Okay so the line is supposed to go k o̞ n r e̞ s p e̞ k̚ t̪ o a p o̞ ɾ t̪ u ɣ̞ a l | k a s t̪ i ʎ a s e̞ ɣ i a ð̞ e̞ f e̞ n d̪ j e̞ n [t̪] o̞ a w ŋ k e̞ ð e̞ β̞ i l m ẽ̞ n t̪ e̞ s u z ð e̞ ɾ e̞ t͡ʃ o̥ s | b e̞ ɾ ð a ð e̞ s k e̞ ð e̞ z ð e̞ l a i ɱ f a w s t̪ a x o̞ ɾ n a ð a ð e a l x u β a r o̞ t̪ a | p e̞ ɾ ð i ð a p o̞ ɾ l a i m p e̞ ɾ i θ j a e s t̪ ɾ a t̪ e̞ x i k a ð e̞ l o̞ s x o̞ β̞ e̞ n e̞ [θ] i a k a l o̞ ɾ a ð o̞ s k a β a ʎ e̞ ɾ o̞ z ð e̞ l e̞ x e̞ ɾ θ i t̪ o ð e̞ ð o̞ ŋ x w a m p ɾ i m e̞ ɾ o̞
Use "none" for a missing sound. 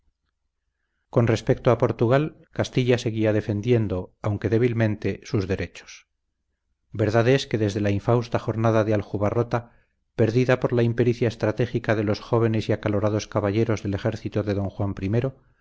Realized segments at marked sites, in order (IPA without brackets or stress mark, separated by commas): d̪, s